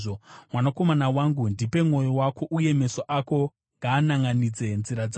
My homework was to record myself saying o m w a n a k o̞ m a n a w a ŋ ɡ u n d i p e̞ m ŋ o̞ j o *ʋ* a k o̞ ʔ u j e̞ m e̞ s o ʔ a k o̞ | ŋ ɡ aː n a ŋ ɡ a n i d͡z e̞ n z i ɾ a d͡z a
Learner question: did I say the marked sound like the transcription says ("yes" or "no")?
no